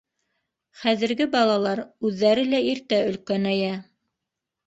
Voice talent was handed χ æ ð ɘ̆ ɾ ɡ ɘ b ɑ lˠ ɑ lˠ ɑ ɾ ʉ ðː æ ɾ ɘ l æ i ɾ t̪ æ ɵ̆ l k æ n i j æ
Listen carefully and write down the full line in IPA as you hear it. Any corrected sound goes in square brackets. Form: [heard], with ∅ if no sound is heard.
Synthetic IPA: χ æ ð ɘ̆ ɾ ɡ ɘ b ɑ lˠ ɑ lˠ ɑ ɾ ʉ ðː æ ɾ ɘ l æ i ɾ t̪ æ ɵ̆ l k æ n [æ] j æ